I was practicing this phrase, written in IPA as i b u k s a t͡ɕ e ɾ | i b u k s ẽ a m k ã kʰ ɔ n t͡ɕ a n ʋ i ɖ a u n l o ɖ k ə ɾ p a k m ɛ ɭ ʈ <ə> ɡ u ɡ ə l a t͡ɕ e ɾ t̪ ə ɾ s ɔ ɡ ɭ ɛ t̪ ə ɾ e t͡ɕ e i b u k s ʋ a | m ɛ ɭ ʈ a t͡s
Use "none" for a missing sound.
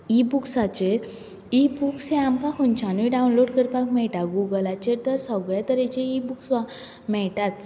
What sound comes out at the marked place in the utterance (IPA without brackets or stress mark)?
a